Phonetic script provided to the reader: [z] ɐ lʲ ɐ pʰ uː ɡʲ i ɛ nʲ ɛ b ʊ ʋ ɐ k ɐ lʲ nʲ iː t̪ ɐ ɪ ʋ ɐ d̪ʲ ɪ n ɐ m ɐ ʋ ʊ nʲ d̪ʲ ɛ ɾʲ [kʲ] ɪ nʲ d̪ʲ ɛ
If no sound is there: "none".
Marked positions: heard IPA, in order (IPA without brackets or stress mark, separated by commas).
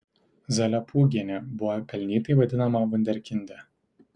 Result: z, kʲ